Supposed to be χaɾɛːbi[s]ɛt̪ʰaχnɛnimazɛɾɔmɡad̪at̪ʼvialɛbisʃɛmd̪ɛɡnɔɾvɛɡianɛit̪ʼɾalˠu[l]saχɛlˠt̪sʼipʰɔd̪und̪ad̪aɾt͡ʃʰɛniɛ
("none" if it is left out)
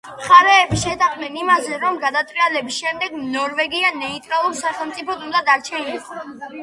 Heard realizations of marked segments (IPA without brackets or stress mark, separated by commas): ʃ, ɾ